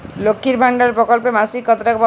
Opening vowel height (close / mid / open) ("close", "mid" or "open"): mid